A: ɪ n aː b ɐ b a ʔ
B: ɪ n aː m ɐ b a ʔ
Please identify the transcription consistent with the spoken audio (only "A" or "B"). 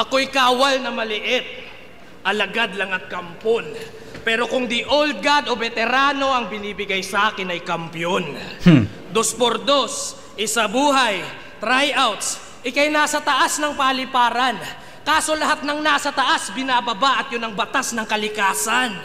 A